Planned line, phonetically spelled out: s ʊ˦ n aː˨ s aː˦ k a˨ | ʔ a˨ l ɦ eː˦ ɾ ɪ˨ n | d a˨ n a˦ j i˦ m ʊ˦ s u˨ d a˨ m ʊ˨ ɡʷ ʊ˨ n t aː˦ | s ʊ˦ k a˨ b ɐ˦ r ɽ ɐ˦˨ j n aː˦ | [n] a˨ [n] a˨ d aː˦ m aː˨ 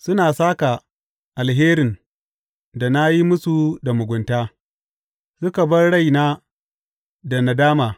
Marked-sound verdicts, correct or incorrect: incorrect, correct

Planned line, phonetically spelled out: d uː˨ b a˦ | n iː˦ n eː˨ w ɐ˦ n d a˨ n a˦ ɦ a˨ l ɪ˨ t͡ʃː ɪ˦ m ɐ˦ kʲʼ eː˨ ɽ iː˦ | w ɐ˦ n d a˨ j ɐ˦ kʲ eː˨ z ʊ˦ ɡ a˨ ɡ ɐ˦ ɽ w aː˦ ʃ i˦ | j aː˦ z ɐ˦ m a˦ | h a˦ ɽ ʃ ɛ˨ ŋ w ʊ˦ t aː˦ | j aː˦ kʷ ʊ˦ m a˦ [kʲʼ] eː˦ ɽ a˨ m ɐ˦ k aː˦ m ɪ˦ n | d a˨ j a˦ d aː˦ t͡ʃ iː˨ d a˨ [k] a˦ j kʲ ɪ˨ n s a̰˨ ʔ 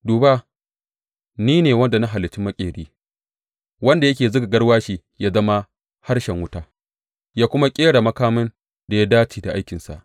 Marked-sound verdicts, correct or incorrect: correct, incorrect

